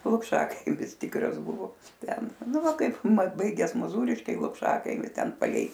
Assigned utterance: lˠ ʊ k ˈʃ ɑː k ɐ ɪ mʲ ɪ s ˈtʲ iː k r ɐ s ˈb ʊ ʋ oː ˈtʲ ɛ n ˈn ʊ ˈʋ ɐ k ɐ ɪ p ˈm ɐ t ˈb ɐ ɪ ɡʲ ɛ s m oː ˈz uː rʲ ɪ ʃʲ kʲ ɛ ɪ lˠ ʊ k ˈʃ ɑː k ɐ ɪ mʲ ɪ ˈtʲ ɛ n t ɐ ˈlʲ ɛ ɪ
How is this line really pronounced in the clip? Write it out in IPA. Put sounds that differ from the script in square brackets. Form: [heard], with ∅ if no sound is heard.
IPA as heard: lˠ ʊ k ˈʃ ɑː k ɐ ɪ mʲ ɪ s ˈtʲ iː k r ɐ s ˈb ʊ ʋ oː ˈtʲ ɛ n ˈn ʊ ˈʋ ɐ k ɐ ɪ p ˈm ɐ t ˈb ɐ ɪ ɡʲ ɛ s m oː ˈz uː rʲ ɪ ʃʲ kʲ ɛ ɪ lˠ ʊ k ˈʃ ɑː k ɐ ɪ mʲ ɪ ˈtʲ ɛ n [p] ɐ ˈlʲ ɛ ɪ